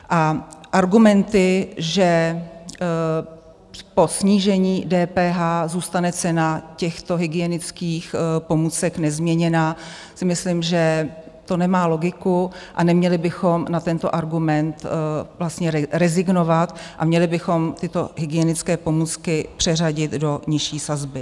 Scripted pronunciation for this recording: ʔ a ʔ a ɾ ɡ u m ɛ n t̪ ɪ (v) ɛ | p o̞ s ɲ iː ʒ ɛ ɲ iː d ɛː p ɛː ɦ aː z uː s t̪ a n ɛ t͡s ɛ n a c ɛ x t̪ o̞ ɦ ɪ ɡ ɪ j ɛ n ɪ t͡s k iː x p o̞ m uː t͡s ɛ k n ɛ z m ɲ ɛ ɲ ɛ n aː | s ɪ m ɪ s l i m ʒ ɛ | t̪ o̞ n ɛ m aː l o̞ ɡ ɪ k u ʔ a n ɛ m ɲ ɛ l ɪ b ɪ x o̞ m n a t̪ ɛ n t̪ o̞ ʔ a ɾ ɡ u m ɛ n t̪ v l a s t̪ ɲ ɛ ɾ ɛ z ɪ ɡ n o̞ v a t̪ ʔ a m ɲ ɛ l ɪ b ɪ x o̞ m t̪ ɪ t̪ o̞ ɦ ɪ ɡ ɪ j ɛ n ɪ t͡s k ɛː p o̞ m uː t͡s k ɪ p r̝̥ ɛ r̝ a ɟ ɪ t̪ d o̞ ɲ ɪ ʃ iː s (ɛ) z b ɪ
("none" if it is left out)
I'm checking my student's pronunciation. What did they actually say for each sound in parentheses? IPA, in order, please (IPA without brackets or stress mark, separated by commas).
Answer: ʒ, a